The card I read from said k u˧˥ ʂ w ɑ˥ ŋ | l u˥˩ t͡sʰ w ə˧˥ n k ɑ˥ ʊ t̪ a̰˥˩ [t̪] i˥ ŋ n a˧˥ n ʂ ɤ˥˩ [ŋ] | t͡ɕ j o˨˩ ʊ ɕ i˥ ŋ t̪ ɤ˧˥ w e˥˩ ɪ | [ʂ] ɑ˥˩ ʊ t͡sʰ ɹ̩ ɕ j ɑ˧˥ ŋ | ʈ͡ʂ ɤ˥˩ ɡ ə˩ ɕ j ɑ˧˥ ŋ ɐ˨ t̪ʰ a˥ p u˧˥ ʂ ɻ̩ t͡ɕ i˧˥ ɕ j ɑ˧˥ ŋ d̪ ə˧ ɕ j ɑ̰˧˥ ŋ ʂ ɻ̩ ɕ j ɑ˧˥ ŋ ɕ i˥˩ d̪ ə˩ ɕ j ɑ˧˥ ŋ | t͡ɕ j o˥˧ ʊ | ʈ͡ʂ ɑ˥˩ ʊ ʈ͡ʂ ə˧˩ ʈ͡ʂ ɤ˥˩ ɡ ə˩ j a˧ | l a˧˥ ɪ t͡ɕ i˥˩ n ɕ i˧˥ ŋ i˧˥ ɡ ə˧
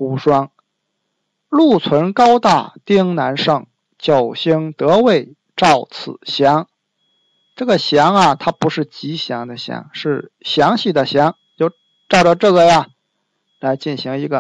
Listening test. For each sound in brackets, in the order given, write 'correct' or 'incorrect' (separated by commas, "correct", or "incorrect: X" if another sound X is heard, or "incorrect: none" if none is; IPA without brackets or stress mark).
correct, correct, incorrect: ʈ͡ʂ